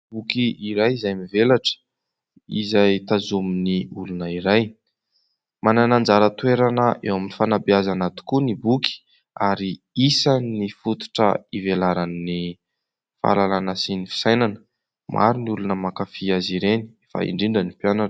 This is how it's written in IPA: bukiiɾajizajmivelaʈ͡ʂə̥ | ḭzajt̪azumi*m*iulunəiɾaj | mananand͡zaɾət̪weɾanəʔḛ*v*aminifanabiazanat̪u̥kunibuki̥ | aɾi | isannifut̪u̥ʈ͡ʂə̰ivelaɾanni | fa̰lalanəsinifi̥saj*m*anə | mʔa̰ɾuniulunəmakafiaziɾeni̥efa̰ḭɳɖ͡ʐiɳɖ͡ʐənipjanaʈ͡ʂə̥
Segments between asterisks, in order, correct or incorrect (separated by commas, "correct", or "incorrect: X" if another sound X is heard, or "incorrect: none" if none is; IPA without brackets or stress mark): incorrect: n, incorrect: w, incorrect: n